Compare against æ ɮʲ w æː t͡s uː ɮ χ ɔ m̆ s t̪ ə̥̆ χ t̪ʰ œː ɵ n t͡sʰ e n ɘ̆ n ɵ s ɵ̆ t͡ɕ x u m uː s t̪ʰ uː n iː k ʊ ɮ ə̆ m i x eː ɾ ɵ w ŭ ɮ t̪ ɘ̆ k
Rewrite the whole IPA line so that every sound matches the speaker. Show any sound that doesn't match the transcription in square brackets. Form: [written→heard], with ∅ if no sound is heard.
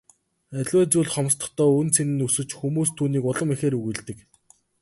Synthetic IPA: æ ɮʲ w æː t͡s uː ɮ χ ɔ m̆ s t̪ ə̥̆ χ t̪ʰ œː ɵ n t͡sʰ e n ɘ̆ n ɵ s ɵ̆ t͡ɕ x u m uː s t̪ʰ uː n iː k ʊ ɮ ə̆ m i x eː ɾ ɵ [w→ɣ] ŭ ɮ t̪ ɘ̆ k

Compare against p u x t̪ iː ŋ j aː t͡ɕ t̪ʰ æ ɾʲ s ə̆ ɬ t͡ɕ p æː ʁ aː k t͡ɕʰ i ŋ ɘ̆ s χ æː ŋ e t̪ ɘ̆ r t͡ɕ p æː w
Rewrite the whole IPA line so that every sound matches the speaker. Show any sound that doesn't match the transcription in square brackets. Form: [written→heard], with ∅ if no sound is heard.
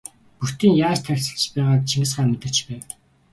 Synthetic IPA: p u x t̪ iː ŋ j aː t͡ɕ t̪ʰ æ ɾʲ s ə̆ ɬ t͡ɕ p æː ʁ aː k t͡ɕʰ i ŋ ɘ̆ s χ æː [ŋ→m] e t̪ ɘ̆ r t͡ɕ p æː w

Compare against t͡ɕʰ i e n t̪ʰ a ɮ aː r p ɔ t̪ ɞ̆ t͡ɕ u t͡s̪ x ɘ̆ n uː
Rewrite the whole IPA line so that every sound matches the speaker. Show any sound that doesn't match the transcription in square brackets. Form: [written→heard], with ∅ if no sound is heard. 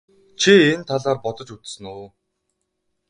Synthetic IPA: t͡ɕʰ i e n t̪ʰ a ɮ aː r p ɔ t̪ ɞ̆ t͡ɕ u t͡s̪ [x→s] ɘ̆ n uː

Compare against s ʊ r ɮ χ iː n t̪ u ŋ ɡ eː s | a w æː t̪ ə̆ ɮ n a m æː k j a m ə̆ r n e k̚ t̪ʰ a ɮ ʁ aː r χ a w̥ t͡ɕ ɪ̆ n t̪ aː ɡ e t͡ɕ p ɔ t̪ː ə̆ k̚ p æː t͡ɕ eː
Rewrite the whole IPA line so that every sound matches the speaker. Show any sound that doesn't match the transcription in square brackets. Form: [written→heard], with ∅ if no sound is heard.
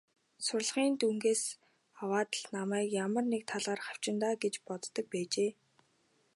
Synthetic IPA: s ʊ r ɮ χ iː n t̪ u ŋ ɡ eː s | a w [æː→aː] t̪ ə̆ ɮ n a m æː k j a m ə̆ r n e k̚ t̪ʰ a ɮ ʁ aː r χ a w̥ t͡ɕ ɪ̆ n t̪ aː ɡ e t͡ɕ p ɔ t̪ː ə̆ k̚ p æː t͡ɕ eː

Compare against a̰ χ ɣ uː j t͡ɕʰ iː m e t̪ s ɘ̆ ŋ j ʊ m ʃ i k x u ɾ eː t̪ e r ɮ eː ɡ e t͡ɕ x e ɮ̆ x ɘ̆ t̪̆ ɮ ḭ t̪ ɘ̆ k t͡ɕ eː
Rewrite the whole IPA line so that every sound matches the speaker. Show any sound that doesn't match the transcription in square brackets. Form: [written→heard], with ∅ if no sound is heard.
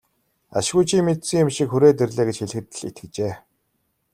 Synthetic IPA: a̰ [χ→ʃ] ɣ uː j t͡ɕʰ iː m e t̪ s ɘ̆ ŋ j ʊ m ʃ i k x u ɾ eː t̪ e r ɮ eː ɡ e t͡ɕ x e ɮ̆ x ɘ̆ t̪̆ ɮ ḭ t̪ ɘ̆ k t͡ɕ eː

